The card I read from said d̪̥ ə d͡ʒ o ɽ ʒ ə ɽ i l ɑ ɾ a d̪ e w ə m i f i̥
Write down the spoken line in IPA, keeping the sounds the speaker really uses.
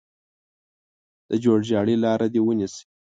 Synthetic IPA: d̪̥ ə d͡ʒ o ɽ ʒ ɑ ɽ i l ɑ ɾ a d̪ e w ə n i s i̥

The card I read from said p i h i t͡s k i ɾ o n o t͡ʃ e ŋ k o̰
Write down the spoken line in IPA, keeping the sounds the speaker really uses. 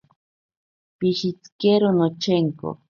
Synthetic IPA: p i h i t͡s k e ɾ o n o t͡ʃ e ŋ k o̰

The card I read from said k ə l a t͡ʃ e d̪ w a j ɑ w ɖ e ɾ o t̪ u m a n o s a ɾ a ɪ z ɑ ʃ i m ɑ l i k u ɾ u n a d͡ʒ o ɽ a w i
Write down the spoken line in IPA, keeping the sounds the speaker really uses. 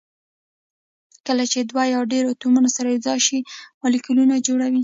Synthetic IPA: k ə l a t͡ʃ e d̪ w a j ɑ w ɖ e ɾ o t̪ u m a n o s a ɾ a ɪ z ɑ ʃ i m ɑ l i k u l u n a d͡ʒ o ɽ a w i

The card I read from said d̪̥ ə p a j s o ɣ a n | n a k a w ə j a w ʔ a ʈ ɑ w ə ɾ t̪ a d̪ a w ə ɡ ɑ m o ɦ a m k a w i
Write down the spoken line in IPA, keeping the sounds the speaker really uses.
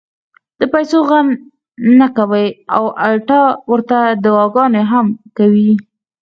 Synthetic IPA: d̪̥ ə p a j s o ɣ a n | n a k a w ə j a w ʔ a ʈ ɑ w ə ɾ t̪ a d̪ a w ɑ ɡ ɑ n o ɦ a m k a w i

